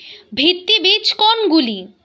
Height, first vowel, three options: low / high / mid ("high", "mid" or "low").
high